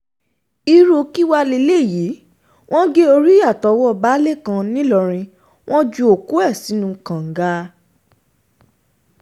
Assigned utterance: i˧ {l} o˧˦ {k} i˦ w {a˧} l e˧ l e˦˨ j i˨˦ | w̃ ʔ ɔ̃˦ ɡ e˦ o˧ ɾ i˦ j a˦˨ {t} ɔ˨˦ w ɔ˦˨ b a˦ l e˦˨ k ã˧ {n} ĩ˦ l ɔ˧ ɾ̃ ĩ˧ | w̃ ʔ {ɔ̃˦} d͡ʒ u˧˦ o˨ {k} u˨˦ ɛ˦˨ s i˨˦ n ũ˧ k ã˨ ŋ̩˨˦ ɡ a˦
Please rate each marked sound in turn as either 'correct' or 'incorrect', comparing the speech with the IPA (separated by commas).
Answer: incorrect, correct, correct, correct, correct, correct, correct